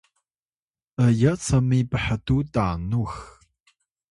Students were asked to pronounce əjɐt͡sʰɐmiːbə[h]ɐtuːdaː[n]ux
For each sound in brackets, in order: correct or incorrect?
incorrect: ħ, correct

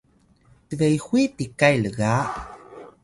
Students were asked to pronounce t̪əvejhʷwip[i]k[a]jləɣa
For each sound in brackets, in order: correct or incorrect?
correct, correct

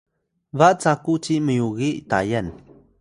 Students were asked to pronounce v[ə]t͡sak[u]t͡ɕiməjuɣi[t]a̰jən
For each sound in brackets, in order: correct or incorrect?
incorrect: a, correct, correct

